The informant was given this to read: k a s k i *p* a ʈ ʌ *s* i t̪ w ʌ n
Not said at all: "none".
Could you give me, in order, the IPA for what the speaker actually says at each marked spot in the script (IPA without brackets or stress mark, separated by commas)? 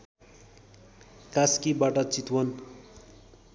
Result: b, t͡s